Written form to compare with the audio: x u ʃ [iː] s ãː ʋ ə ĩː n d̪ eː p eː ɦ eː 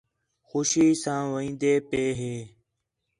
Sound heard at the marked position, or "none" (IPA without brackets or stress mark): iː